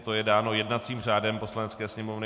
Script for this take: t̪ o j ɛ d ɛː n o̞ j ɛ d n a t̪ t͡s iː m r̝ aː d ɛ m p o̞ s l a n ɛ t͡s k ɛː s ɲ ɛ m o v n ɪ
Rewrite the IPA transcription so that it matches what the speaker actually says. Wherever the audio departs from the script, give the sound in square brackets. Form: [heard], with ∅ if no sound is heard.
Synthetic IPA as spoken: t̪ o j ɛ d [aː] n o̞ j ɛ d n a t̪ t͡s iː m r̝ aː d ɛ m p o̞ s l a n ɛ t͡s k ɛː s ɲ ɛ m o v n ɪ